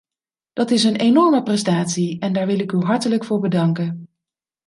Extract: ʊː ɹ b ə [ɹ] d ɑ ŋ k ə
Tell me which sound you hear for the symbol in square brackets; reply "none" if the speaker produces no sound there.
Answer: none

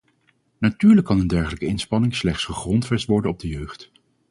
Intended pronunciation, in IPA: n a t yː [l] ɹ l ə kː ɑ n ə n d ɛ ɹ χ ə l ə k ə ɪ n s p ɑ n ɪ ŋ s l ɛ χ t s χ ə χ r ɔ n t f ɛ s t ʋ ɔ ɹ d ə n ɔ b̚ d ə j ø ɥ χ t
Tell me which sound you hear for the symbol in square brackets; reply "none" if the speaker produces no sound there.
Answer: none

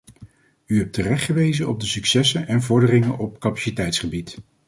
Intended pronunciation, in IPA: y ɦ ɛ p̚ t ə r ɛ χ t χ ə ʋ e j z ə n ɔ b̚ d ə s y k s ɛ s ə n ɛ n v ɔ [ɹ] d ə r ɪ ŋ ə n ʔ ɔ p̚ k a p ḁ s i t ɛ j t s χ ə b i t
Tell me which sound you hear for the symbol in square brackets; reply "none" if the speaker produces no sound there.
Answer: ɹ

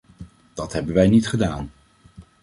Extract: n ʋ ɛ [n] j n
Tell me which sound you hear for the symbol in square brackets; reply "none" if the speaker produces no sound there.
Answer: none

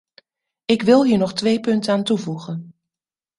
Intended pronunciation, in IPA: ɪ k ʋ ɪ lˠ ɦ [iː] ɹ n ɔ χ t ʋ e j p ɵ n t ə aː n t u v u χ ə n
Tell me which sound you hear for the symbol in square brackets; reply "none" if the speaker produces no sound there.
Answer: iː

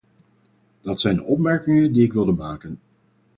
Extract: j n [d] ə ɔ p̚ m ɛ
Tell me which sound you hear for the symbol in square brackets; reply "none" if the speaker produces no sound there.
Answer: d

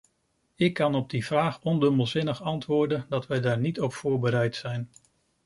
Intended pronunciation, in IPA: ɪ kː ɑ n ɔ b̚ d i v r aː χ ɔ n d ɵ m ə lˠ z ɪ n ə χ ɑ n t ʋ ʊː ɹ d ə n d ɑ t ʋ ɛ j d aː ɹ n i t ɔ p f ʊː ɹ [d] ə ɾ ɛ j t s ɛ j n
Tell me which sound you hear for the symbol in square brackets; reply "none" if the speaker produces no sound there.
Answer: b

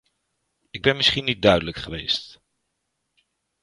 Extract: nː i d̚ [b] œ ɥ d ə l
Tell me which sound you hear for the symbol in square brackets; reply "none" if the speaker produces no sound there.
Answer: d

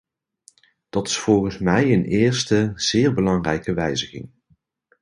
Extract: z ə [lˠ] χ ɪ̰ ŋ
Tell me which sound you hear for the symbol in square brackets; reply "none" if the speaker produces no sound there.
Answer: none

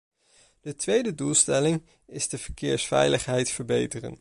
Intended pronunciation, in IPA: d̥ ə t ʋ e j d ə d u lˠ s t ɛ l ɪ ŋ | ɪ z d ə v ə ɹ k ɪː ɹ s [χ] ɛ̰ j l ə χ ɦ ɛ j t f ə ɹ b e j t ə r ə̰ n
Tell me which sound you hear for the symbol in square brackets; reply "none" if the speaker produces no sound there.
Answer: f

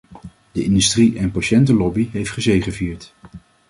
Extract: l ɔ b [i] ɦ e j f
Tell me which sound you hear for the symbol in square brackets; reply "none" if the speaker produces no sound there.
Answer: i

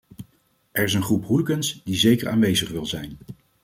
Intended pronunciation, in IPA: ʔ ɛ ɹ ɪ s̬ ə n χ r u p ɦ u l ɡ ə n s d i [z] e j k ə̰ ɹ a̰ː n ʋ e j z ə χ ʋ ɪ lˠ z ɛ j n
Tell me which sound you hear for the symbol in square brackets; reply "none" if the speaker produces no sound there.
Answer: z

